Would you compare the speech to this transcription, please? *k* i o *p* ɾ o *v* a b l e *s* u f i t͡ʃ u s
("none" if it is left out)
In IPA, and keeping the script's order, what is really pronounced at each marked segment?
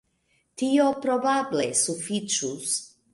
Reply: t, p, b, s

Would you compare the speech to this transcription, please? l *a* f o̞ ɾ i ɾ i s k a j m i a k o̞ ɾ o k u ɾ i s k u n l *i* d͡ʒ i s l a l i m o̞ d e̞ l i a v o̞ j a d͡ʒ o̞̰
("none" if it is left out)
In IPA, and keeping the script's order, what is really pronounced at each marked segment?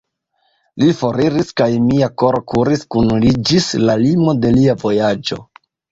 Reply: i, i

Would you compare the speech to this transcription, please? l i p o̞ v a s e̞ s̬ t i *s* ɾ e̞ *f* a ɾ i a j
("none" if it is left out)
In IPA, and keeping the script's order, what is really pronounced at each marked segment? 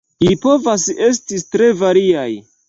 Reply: t, v

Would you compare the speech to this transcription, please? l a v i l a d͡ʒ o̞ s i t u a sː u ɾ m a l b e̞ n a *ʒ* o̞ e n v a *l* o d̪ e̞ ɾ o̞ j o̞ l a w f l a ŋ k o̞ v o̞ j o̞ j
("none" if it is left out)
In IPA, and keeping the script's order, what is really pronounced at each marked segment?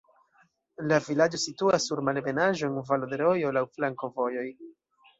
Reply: ʒ, l

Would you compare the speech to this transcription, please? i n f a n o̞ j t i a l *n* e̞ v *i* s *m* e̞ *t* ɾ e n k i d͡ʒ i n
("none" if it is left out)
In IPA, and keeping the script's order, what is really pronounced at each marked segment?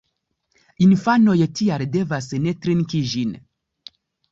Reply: d, a, n, t

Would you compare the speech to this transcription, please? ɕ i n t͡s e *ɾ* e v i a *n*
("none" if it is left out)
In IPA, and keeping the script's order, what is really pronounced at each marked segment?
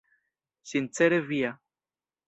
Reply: ɾ, none

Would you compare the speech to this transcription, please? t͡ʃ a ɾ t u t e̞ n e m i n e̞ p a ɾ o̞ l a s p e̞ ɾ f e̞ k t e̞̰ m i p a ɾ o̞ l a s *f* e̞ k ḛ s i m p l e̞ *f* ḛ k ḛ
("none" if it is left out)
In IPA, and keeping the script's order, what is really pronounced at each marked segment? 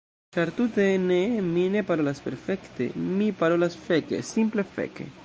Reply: f, f

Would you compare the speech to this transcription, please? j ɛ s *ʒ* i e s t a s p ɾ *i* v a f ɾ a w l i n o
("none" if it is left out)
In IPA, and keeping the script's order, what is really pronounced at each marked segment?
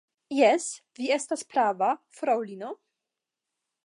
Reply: v, a

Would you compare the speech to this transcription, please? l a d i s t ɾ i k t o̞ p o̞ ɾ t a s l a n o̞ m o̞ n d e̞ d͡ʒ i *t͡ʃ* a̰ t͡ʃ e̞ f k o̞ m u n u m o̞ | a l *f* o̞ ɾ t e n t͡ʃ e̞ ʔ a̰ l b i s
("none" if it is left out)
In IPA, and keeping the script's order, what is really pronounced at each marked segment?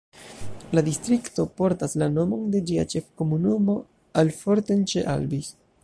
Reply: none, f

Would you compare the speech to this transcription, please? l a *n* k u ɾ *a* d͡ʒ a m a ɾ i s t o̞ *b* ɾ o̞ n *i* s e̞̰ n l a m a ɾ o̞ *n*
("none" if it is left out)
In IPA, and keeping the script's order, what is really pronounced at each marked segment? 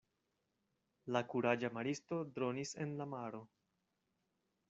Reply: none, a, d, i, none

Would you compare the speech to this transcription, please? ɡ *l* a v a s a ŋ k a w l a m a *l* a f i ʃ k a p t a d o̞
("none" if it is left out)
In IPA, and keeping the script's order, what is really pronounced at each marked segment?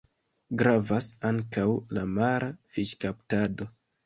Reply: ɾ, ɾ

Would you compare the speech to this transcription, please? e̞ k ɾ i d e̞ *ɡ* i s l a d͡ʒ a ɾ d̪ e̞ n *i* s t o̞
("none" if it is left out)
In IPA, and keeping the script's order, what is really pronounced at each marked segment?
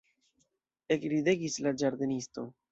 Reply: ɡ, i

